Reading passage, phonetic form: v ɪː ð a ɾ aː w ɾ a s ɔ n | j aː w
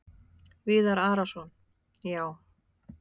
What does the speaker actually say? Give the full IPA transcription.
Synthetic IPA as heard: v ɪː ð a ɾ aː ɾ a s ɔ n | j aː w